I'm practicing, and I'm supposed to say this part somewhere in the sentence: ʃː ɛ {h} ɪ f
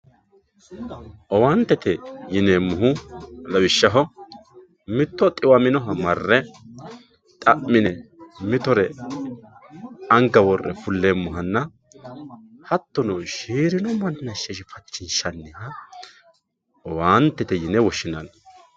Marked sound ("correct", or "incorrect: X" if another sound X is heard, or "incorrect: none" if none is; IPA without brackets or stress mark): incorrect: ʃ